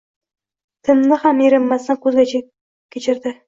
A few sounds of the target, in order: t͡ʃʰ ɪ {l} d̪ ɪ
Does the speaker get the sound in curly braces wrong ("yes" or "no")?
yes